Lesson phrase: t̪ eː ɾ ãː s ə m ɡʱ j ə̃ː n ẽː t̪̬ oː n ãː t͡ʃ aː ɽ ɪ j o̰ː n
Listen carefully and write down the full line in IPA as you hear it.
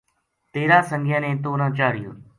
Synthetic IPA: t̪ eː ɾ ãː s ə ŋ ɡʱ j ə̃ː n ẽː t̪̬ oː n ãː t͡ʃ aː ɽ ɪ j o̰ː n